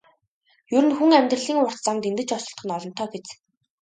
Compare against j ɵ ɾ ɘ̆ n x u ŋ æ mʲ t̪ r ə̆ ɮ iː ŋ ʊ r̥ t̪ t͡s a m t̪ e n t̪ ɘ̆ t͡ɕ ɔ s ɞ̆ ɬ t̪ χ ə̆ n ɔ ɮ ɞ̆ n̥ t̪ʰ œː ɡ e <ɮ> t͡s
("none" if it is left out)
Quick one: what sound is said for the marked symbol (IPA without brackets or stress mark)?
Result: none